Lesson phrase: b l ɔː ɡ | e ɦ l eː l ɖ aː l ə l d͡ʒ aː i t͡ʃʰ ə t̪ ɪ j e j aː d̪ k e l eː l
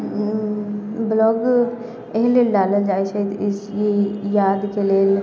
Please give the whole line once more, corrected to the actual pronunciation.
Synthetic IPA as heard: b l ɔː ɡ | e ɦ l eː l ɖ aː l ə l d͡ʒ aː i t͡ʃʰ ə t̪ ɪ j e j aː d̪ k e l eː l

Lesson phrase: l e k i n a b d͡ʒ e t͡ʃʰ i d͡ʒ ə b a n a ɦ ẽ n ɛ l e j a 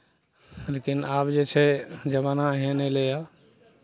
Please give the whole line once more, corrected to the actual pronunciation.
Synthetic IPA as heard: l e k i n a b d͡ʒ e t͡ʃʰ ɛ d͡ʒ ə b a n a ɦ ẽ n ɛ l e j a

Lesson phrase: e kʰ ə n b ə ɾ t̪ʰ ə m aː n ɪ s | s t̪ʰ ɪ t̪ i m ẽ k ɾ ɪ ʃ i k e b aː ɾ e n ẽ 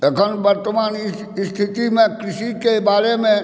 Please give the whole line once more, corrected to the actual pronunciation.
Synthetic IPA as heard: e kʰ ə n b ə ɾ t̪ ə m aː n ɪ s | s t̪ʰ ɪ t̪ i m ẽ k ɾ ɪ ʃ i k e b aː ɾ e m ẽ

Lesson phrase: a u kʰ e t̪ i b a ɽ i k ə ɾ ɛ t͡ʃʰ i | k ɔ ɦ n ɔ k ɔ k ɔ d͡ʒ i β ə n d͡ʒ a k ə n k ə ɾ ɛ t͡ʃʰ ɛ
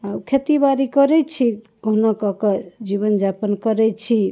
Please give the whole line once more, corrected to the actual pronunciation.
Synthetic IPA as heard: a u kʰ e t̪ i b a ɾ i k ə ɾ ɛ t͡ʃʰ i | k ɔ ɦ n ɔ k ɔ k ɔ d͡ʒ i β ə n d͡ʒ a p ə n k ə ɾ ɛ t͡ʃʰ i

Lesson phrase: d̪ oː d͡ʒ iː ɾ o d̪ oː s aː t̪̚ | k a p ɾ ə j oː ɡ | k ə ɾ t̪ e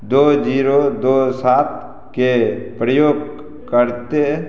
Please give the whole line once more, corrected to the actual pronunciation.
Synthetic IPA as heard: d̪ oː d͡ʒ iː ɾ o d̪ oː s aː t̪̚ | k e p ɾ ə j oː ɡ | k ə ɾ t̪ e

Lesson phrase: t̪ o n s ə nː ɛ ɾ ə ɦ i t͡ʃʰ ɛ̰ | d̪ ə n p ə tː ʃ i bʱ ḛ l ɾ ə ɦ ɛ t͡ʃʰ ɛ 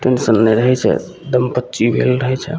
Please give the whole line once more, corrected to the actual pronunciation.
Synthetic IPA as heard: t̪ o n s ə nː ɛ ɾ ə ɦ ɛ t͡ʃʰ ɛ̰ | d̪ ə m p ə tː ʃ i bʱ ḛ l ɾ ə ɦ ɛ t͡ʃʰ ɛ

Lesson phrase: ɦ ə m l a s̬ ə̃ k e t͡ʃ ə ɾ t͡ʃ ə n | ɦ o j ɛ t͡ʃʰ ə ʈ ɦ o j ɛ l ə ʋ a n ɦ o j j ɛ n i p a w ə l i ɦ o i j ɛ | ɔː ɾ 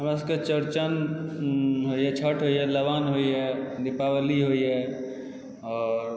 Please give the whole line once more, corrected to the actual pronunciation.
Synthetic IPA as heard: ɦ ə m ɾ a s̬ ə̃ k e t͡ʃ ə ɾ t͡ʃ ə n | ɦ o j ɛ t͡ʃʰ ə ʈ ɦ o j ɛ l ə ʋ a n ɦ o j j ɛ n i p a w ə l i ɦ o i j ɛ | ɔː ɾ

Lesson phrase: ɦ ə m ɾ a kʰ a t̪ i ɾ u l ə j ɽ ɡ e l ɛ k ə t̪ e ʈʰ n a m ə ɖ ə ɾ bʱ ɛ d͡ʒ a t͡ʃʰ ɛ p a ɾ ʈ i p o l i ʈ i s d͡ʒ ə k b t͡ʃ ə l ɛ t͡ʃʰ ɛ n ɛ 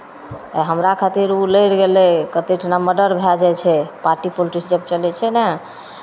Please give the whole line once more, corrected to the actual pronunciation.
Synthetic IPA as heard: ɦ ə m ɾ a kʰ a t̪ i ɾ u l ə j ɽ ɡ e l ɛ k ə t̪ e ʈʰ n a m ə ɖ ə ɾ bʱ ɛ d͡ʒ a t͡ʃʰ ɛ p a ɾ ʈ i p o l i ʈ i s d͡ʒ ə b t͡ʃ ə l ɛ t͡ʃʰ ɛ n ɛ

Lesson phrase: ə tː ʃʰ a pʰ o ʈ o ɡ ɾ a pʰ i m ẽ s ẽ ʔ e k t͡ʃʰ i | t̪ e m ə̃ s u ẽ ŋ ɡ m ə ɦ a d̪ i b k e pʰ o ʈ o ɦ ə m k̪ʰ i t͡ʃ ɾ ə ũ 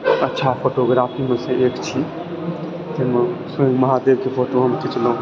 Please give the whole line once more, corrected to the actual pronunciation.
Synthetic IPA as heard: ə tː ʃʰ a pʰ o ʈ o ɡ ɾ a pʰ i m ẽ s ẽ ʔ e k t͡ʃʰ i | t̪ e m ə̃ s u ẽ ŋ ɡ m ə ɦ a d̪ e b k e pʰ o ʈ o ɦ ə m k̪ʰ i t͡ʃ l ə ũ

